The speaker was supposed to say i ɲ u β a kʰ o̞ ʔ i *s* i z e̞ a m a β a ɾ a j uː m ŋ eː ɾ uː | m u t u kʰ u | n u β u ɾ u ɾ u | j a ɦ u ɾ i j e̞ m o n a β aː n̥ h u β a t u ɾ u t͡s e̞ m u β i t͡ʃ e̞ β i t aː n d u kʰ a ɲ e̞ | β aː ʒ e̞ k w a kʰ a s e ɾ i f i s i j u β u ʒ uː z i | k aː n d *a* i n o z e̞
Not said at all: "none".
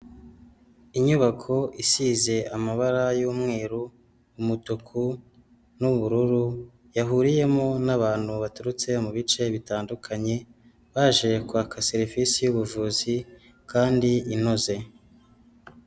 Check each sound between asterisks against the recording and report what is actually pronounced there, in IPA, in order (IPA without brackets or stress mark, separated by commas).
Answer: s, i